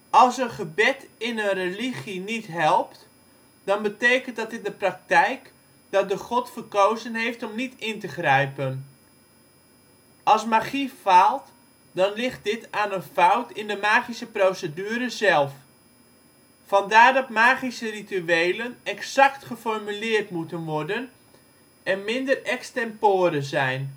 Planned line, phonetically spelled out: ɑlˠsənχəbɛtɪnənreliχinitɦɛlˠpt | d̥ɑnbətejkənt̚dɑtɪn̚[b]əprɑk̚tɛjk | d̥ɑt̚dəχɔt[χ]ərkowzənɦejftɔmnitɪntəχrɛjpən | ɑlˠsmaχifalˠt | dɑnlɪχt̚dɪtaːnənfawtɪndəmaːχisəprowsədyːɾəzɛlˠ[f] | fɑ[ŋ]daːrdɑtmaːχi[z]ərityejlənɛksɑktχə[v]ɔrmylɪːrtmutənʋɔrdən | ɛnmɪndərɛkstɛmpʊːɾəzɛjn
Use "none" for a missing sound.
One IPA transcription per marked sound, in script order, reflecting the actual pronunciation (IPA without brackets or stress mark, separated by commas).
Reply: d, f, f, n, s, f